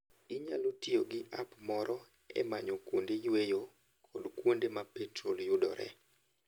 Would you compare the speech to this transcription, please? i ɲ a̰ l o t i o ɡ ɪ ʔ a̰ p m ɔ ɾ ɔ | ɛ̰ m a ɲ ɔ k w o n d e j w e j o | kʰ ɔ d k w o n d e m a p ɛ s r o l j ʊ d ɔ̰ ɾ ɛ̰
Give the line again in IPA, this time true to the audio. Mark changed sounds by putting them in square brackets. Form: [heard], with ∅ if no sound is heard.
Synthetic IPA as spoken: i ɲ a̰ l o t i o ɡ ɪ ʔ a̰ p m ɔ ɾ ɔ | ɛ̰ m a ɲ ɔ k w o n d e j w e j o | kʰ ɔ d k w o n d e m a p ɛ [t] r o l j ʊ d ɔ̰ ɾ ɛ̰